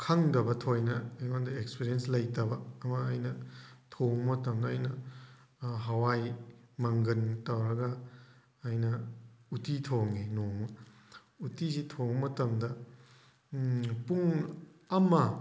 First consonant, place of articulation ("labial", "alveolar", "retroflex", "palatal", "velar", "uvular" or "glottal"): velar